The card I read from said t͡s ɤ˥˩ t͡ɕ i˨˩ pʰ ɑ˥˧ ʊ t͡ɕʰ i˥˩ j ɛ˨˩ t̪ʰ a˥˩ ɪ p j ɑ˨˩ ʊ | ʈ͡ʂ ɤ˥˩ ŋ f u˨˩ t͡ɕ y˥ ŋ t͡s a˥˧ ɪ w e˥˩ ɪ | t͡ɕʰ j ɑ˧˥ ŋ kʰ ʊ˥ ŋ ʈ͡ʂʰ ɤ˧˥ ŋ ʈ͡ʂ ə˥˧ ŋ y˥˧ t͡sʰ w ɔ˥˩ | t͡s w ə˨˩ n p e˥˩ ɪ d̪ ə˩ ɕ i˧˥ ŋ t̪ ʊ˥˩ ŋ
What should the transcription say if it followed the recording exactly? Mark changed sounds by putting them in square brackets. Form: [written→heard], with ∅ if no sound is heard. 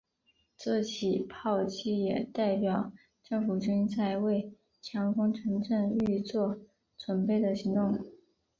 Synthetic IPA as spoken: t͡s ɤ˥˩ [t͡ɕ→t͡ɕʰ] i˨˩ pʰ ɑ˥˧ ʊ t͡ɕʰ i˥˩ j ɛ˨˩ [t̪ʰ→t̪] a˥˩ ɪ p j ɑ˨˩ ʊ | ʈ͡ʂ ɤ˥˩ ŋ f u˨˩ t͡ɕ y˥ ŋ t͡s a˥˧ ɪ w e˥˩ ɪ | t͡ɕʰ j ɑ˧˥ ŋ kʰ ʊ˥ ŋ ʈ͡ʂʰ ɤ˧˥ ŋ ʈ͡ʂ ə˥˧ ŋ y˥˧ [t͡sʰ→t͡s] w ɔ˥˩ | t͡s w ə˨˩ n p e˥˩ ɪ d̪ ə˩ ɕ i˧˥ ŋ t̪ ʊ˥˩ ŋ